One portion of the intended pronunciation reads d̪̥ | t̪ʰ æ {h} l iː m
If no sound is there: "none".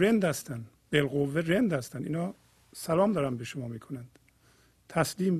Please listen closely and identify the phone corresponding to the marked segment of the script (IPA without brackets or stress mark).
s